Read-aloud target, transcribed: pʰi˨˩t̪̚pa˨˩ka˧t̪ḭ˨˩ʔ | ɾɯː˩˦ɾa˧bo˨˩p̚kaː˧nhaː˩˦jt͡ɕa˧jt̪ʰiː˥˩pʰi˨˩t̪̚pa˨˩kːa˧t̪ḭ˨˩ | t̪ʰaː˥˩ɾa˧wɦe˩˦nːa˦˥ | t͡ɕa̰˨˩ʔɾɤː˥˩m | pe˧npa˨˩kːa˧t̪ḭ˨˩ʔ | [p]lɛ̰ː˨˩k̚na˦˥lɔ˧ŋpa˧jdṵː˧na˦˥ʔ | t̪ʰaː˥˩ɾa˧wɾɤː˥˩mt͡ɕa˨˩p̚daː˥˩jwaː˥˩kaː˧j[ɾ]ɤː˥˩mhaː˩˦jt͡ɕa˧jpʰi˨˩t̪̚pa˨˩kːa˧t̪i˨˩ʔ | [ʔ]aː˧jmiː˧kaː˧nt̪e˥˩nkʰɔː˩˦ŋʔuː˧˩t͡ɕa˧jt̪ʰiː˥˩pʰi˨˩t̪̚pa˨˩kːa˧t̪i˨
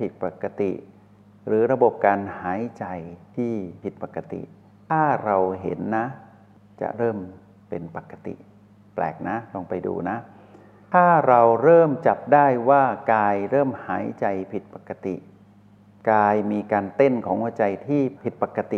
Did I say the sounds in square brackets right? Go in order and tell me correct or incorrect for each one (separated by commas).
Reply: correct, correct, incorrect